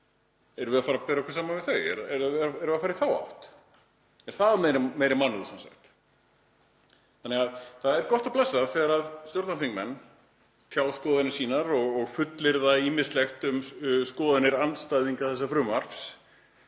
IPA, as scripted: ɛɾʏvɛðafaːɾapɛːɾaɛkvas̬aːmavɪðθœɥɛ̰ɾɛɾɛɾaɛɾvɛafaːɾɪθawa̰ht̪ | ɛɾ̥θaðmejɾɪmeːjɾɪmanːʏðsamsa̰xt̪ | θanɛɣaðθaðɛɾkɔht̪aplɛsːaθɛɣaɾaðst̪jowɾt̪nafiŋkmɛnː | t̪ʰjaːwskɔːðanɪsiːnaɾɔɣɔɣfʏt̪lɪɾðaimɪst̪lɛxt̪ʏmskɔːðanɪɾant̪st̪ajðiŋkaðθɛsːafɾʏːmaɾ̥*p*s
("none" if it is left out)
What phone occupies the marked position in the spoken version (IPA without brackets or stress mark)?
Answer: p